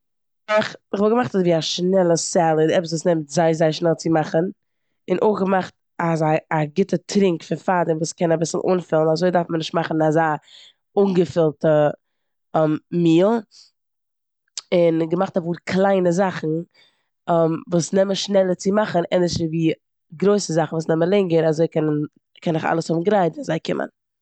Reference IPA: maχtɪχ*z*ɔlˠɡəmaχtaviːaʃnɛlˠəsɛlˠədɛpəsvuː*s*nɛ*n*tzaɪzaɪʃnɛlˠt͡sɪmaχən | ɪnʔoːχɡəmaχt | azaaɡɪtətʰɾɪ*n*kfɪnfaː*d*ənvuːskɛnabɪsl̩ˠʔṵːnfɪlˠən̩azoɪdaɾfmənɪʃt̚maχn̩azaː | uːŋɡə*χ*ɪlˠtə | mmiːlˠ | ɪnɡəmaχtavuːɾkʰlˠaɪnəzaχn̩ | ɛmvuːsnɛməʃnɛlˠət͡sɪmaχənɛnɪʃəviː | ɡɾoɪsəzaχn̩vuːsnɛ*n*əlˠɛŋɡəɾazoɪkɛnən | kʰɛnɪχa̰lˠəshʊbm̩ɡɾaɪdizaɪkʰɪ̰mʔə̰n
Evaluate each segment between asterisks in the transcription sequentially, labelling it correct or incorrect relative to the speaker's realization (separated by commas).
incorrect, correct, incorrect, incorrect, correct, incorrect, incorrect